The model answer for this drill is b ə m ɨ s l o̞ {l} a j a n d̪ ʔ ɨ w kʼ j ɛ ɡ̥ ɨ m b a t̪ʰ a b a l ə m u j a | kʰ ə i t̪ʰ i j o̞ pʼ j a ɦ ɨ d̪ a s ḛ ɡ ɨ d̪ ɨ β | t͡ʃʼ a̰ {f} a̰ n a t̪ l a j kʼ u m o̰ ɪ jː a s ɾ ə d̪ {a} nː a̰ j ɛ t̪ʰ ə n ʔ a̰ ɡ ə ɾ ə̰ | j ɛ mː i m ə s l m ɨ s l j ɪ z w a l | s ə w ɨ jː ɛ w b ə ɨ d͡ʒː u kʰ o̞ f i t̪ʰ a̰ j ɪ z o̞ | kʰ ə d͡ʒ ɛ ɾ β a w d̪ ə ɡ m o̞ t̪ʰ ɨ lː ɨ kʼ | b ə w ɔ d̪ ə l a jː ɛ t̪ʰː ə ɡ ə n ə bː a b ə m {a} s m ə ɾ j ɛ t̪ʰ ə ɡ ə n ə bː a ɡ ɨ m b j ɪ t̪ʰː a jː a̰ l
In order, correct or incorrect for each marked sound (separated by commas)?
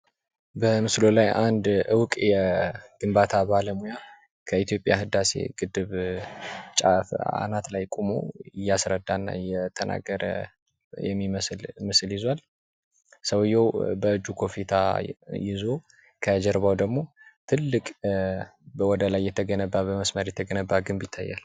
correct, correct, correct, incorrect